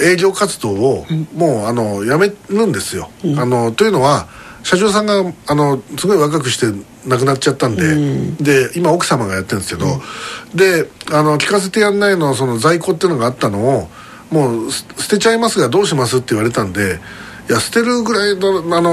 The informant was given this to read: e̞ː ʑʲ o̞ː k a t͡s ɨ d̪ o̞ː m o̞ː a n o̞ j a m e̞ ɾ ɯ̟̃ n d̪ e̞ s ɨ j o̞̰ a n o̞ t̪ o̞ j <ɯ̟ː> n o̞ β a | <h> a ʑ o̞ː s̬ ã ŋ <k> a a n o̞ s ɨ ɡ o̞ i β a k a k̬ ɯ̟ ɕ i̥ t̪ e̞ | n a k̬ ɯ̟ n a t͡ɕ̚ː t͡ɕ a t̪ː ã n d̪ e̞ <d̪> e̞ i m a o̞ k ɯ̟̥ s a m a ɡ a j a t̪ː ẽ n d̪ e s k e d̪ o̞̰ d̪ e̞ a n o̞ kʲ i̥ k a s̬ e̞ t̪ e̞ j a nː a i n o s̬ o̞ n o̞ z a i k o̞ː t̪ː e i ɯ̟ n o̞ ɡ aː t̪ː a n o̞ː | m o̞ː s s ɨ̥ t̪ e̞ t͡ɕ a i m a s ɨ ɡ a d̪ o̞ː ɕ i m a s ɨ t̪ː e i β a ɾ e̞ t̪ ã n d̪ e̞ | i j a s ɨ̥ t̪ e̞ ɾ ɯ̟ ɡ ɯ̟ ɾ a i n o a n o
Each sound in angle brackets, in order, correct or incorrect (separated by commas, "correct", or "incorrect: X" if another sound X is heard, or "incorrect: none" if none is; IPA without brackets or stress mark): incorrect: ɯ̟, incorrect: ɕ, incorrect: ɡ, correct